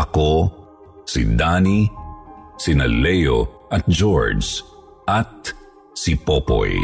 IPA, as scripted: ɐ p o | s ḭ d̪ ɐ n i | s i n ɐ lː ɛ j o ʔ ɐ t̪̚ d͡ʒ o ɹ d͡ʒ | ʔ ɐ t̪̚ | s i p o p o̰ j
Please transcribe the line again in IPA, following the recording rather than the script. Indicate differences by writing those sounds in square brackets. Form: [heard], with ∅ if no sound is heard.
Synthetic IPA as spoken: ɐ [k] o | s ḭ d̪ [a] n i | s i n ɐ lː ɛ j o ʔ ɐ t̪̚ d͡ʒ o ɹ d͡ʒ | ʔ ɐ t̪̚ | s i p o p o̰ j